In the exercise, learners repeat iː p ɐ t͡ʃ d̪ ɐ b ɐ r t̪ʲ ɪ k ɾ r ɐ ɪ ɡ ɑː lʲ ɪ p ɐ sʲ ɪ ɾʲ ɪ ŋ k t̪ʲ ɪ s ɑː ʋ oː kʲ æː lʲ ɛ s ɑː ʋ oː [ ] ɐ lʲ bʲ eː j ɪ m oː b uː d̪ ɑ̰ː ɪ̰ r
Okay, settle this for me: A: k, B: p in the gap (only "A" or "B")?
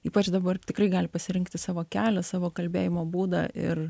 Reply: A